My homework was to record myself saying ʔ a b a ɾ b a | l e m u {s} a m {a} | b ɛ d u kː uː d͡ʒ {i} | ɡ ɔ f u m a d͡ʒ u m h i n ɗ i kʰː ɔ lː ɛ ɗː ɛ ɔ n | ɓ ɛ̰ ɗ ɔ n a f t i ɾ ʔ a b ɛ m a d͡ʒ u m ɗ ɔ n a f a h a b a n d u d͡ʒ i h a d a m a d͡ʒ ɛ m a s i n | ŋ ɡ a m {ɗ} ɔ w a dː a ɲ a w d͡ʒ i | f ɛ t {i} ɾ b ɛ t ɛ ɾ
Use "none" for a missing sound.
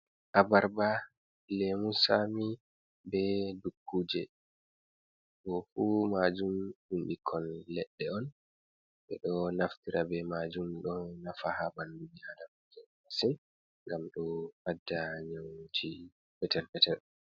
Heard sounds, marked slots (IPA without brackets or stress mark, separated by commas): s, i, ɛ, ɗ, ɛ